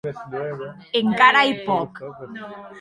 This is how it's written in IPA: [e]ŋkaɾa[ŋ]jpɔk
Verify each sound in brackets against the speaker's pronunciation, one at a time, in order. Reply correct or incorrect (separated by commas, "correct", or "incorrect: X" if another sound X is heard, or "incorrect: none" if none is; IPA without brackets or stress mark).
correct, incorrect: none